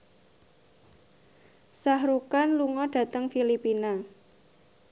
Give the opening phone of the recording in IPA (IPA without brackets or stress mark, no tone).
s